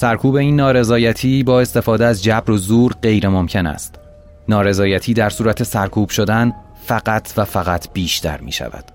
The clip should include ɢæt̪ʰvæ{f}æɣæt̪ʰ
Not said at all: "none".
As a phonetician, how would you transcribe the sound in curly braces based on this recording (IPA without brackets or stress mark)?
f